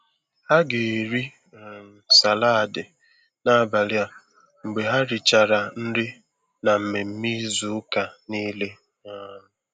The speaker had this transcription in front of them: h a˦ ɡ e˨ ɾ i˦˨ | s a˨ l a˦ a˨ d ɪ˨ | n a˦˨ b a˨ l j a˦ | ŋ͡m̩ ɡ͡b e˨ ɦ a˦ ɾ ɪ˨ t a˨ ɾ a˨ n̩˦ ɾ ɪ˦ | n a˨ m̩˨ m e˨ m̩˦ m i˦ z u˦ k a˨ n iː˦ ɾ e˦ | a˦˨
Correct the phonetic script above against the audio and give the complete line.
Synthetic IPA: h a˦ ɡ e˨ ɾ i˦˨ | s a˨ l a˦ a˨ d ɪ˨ | n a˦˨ b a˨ l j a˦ | ŋ͡m̩ ɡ͡b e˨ ɦ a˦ ɾ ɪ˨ t͡ʃ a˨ ɾ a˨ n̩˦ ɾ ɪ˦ | n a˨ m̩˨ m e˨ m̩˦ m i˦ z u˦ k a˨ n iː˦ l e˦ | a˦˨